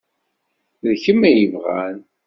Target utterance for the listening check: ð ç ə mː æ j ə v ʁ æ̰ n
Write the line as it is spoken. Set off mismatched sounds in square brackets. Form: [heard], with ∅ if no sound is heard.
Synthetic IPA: ð ç ə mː æ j ə v ʁ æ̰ n